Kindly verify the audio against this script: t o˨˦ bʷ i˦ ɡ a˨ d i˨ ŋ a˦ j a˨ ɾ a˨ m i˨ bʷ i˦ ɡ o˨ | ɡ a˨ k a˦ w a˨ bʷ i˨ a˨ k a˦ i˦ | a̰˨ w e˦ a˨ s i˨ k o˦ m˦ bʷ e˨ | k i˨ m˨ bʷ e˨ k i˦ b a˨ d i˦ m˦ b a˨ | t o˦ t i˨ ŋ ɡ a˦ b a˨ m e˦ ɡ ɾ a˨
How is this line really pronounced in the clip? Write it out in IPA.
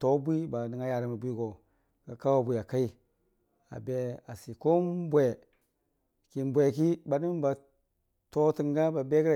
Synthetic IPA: t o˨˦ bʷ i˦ b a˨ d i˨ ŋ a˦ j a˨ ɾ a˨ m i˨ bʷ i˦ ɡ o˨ | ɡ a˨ k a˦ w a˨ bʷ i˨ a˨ k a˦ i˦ | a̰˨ b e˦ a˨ s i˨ k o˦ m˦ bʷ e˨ | k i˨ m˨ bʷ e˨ k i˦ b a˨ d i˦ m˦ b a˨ | t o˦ t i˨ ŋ ɡ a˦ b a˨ b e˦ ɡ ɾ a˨